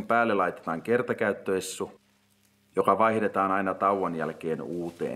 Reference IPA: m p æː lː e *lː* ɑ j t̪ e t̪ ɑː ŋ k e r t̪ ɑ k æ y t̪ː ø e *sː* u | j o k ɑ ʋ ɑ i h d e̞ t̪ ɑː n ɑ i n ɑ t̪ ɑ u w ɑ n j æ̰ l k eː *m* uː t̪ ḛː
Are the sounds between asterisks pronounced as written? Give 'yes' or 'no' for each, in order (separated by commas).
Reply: no, yes, no